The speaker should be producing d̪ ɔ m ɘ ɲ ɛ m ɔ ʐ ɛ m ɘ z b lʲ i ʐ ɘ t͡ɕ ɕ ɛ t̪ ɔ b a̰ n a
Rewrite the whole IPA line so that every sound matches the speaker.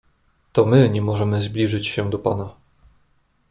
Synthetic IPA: t̪ ɔ m ɘ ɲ ɛ m ɔ ʐ ɛ m ɘ z b lʲ i ʐ ɘ t͡ɕ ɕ ɛ d̪ ɔ p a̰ n a

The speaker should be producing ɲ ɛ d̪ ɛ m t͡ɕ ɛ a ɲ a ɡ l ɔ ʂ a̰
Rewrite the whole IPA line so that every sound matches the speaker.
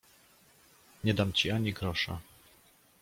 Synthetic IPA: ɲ ɛ d̪ a m t͡ɕ i a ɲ i ɡ ɾ ɔ ʂ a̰

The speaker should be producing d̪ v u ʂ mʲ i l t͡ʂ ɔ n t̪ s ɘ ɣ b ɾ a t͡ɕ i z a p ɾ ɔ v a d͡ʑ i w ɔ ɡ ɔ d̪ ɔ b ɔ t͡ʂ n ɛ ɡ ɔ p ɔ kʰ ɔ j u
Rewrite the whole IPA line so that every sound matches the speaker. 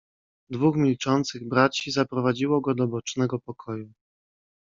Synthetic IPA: d̪ v u x mʲ i l t͡ʂ ɔ n t̪ s ɘ ɣ b ɾ a t͡ɕ i z a p ɾ ɔ v a d͡ʑ i w ɔ ɡ ɔ d̪ ɔ b ɔ t͡ʂ n ɛ ɡ ɔ p ɔ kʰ ɔ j u

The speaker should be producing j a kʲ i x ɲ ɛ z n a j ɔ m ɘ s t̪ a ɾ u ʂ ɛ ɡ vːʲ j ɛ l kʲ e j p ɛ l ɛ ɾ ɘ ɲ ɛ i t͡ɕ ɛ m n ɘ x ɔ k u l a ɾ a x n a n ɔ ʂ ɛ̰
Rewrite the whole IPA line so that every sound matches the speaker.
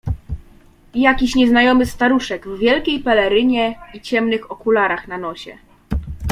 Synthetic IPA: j a kʲ i ɕ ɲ ɛ z n a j ɔ m ɘ s t̪ a ɾ u ʂ ɛ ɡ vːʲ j ɛ l kʲ e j p ɛ l ɛ ɾ ɘ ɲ ɛ i t͡ɕ ɛ m n ɘ x ɔ k u l a ɾ a x n a n ɔ ɕ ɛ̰

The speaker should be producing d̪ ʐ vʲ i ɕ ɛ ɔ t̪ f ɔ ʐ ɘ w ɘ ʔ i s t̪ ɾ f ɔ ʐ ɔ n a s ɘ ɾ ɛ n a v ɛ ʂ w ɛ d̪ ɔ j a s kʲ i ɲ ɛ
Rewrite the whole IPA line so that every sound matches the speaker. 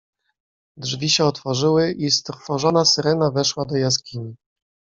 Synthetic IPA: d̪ ʐ vʲ i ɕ ɛ ɔ t̪ f ɔ ʐ ɘ w ɘ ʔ i s t̪ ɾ f ɔ ʐ ɔ n a s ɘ ɾ ɛ n a v ɛ ʂ w a d̪ ɔ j a s kʲ i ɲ i

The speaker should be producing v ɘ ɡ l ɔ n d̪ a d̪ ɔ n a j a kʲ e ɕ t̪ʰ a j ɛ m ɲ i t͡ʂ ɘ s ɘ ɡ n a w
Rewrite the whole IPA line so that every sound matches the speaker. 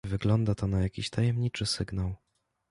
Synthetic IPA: v ɘ ɡ l ɔ n d̪ a t̪ ɔ n a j a kʲ i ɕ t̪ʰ a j ɛ m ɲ i t͡ʂ ɘ s ɘ ɡ n a w

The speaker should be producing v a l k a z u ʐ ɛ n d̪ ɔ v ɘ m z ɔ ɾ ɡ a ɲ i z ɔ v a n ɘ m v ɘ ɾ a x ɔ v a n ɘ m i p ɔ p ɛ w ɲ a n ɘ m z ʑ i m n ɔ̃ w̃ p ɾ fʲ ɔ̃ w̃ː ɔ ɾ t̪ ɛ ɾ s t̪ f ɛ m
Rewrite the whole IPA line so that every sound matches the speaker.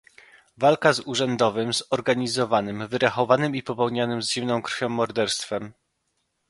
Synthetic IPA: v a l k a z u ʐ ɛ n d̪ ɔ v ɘ m z ɔ ɾ ɡ a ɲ i z ɔ v a n ɘ m v ɘ ɾ a x ɔ v a n ɘ m i p ɔ p ɛ w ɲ a n ɘ m z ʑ i m n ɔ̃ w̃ k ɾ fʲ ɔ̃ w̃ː ɔ ɾ d̪ ɛ ɾ s t̪ f ɛ m

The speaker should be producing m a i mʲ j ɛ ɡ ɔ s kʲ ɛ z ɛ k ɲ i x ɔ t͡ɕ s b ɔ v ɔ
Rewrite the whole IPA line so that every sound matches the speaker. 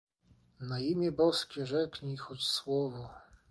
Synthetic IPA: n a i mʲ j ɛ b ɔ s kʲ ɛ ʐ ɛ k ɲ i x ɔ t͡ɕ s w ɔ v ɔ

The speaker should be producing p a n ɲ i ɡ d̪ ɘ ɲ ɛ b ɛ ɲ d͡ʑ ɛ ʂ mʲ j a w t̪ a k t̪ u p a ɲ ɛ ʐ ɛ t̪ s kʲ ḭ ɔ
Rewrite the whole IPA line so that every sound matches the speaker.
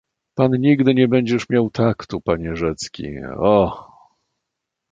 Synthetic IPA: p a n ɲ i ɡ d̪ ɘ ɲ ɛ b ɛ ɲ d͡ʑ ɛ ʂ mʲ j a w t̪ a k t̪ u p a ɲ ɛ ʐ ɛ t̪ s kʲ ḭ ɔ

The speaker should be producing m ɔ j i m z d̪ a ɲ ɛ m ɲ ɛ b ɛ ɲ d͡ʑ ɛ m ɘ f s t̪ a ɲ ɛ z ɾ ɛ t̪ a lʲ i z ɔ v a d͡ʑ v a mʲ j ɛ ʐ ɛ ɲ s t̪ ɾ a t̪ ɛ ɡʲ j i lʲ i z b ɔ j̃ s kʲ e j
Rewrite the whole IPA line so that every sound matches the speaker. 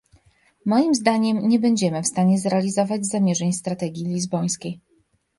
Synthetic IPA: m ɔ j i m z d̪ a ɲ ɛ m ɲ ɛ b ɛ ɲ d͡ʑ ɛ m ɘ f s t̪ a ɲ ɛ z ɾ ɛ a lʲ i z ɔ v a d͡ʑ z a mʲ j ɛ ʐ ɛ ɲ s t̪ ɾ a t̪ ɛ ɡʲ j i lʲ i z b ɔ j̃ s kʲ e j

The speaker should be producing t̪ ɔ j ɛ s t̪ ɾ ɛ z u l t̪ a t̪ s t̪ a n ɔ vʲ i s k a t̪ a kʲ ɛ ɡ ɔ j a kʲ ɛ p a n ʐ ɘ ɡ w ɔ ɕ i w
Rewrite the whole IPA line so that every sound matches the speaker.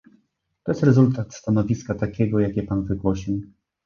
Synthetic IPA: t̪ ɔ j ɛ s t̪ ɾ ɛ z u l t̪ a t̪ s t̪ a n ɔ vʲ i s k a t̪ a kʲ ɛ ɡ ɔ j a kʲ ɛ p a n v ɘ ɡ w ɔ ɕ i w

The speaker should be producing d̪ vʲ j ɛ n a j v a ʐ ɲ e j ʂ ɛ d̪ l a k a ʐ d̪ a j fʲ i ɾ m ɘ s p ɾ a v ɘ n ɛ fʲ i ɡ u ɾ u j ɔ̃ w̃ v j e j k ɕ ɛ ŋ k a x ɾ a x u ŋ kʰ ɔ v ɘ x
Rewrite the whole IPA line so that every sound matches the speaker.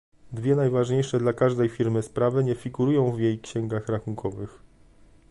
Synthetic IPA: d̪ vʲ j ɛ n a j v a ʐ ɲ e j ʂ ɛ d̪ l a k a ʐ d̪ ɛ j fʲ i ɾ m ɘ s p ɾ a v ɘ ɲ ɛ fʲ i ɡ u ɾ u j ɔ̃ w̃ v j e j k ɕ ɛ ŋ ɡ a x ɾ a x u ŋ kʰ ɔ v ɘ x

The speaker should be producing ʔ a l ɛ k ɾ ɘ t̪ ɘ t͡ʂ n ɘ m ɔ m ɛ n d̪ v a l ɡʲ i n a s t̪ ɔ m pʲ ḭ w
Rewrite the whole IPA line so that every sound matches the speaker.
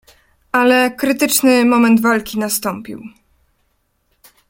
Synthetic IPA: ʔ a l ɛ k ɾ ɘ t̪ ɘ t͡ʂ n ɘ m ɔ m ɛ n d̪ v a l kʲ i n a s t̪ ɔ m pʲ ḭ w

